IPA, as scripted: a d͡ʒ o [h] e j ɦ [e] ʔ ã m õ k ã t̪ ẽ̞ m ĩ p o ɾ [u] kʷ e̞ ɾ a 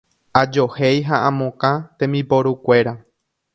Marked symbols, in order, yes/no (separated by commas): yes, no, yes